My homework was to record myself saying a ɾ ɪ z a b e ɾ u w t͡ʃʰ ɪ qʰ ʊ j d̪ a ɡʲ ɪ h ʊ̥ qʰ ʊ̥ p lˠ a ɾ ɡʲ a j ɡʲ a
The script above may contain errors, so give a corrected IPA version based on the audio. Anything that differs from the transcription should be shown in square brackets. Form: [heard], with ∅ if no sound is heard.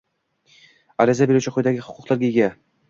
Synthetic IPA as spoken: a ɾ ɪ z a b e ɾ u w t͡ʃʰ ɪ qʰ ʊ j d̪ a ɡʲ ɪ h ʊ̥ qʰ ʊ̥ [q] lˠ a ɾ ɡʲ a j ɡʲ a

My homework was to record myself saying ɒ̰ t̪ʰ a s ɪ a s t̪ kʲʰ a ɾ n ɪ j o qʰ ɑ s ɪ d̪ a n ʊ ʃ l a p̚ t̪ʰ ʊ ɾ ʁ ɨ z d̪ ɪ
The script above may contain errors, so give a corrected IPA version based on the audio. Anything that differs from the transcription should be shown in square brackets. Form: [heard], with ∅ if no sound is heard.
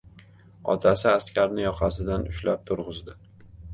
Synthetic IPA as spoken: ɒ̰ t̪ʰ a s ɪ a s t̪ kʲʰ a ɾ n ɪ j [ɒ] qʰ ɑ s ɪ d̪ a n ʊ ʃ l a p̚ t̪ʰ ʊ ɾ ʁ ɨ z d̪ ɪ

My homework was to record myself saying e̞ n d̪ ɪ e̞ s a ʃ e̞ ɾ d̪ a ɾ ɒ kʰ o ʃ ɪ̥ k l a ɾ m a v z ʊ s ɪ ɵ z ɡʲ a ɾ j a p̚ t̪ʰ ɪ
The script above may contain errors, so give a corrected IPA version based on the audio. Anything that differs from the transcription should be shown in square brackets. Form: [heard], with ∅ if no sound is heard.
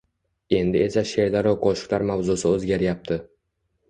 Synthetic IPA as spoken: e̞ n d̪ ɪ e̞ s a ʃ e̞ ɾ d̪ a ɾ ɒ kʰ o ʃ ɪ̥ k l a ɾ m a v z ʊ s ɪ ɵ z ɡʲ a ɾ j a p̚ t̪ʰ ɪ

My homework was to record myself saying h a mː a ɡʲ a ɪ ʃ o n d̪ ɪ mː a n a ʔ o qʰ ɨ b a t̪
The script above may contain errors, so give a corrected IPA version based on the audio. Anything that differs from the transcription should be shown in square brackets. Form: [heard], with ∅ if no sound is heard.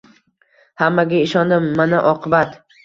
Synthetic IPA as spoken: h a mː a ɡʲ a ɪ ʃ [ɒ] n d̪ ɪ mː a n a ʔ [ɒ] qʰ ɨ b a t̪

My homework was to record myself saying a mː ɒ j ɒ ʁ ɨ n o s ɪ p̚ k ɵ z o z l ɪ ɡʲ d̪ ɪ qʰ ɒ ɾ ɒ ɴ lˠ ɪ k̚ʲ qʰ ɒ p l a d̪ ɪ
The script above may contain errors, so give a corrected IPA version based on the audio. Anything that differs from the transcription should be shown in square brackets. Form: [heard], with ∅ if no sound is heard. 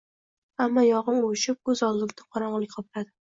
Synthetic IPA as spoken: a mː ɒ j ɒ ʁ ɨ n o [ʃ] ɪ p̚ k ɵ z [ɒ] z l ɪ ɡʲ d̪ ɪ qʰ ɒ ɾ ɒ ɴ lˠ ɪ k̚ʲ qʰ ɒ p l a d̪ ɪ

